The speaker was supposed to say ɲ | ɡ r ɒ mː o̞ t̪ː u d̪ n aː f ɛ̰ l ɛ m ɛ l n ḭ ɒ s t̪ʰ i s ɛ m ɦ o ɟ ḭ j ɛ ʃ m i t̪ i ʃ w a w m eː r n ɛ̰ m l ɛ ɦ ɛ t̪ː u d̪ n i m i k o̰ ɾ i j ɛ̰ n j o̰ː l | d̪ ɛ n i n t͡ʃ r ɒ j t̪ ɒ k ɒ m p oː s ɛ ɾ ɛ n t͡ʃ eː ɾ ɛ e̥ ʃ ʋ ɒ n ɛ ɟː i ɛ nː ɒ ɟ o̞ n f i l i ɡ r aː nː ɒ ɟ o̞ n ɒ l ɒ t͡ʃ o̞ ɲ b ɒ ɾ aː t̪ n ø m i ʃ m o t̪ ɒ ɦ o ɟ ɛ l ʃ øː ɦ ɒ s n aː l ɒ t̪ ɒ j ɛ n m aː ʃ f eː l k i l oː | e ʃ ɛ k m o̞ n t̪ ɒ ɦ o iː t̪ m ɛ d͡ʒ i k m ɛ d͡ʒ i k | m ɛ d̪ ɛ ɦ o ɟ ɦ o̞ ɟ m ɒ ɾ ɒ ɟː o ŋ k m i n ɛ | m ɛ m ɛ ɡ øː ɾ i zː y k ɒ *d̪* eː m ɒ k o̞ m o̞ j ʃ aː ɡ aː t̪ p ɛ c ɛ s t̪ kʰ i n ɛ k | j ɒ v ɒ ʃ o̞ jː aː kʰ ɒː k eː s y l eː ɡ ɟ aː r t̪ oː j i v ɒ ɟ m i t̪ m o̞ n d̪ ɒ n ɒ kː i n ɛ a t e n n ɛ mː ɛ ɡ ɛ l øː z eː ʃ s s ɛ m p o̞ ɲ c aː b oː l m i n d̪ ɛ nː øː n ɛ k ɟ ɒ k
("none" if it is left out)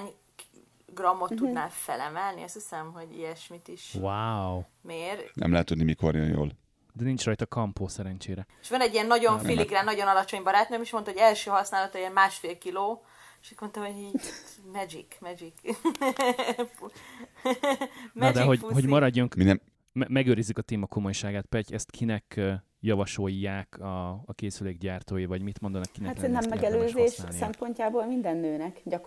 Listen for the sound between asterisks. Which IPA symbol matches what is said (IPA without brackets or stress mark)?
t̪